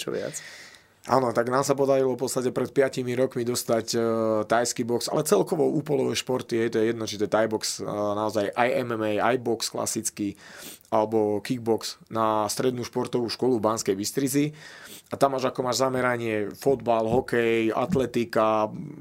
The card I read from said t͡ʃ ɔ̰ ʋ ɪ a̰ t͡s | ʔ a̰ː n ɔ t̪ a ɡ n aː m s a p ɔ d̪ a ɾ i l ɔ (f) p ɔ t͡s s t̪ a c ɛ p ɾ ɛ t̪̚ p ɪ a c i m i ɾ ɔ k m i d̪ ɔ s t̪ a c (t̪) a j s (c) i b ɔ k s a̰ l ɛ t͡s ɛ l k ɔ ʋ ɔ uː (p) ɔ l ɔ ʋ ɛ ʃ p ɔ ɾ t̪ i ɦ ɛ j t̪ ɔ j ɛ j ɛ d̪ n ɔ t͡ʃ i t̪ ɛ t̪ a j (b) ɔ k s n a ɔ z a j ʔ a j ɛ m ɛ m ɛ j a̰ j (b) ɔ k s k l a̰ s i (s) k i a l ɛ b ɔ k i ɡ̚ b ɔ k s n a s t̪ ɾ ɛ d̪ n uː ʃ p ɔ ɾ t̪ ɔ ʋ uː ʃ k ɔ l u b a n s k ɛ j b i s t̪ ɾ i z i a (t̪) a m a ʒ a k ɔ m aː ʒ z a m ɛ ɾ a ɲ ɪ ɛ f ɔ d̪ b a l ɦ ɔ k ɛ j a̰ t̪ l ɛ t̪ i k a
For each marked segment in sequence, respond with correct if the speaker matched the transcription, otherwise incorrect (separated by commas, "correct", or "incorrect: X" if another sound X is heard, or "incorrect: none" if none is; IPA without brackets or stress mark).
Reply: correct, correct, incorrect: k, correct, correct, correct, incorrect: t͡s, correct